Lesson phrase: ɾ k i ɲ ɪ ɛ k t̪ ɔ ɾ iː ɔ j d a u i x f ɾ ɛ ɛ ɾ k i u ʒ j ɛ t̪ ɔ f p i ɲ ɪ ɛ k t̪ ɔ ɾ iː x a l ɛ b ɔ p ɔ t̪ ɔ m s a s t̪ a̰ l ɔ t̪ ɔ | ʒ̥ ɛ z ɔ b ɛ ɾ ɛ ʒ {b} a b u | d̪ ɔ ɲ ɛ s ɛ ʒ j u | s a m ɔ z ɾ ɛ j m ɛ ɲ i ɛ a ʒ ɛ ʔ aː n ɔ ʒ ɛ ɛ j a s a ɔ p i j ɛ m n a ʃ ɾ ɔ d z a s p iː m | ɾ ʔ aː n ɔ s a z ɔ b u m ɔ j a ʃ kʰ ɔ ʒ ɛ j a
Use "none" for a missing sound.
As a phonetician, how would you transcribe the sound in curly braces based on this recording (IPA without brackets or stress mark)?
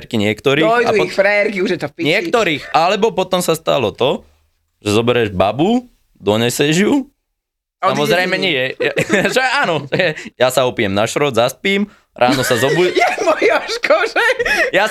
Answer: b